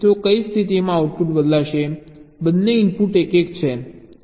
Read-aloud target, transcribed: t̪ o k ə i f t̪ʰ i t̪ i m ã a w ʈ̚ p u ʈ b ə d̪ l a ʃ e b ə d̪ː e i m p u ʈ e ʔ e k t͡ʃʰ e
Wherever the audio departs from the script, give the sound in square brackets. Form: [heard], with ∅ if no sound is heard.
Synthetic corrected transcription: t̪ o k ə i [s] t̪ʰ i t̪ i m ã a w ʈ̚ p u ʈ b ə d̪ l a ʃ e b ə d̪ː e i m p u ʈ e [k] e k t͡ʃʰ e